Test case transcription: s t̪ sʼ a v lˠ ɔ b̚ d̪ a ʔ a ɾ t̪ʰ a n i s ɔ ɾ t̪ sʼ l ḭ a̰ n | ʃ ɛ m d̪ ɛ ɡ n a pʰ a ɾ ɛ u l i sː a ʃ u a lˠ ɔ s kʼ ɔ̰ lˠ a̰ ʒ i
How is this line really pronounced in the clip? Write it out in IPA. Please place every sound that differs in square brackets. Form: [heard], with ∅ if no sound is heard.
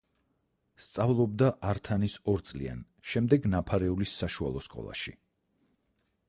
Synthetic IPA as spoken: s t̪ sʼ a v lˠ ɔ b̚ d̪ a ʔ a ɾ t̪ʰ a n i s ɔ ɾ t̪ sʼ l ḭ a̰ n | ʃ ɛ m d̪ ɛ ɡ n a pʰ a ɾ ɛ u l i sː a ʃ u a lˠ ɔ s kʼ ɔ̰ lˠ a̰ [ʃ] i